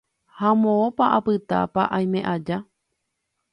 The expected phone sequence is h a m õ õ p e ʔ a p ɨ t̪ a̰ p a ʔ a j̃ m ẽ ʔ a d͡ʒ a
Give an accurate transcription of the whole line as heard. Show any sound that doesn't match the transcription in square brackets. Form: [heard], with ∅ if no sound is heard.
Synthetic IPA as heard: h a m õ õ p [a] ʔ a p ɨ t̪ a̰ p a ʔ a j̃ m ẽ ʔ a d͡ʒ a